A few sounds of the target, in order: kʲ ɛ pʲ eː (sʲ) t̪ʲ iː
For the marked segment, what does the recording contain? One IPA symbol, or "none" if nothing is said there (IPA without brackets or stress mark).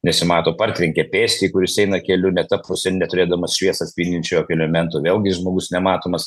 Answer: sʲ